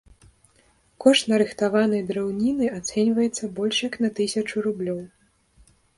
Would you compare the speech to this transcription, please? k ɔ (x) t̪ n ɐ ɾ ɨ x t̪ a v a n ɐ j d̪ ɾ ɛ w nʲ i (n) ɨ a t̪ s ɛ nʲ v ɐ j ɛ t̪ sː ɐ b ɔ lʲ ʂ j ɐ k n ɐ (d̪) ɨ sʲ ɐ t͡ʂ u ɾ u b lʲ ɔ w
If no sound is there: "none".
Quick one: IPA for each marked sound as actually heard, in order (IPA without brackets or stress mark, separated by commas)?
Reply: ʂ, n, t̪